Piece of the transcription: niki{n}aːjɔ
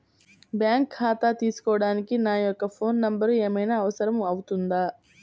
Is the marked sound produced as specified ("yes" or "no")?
yes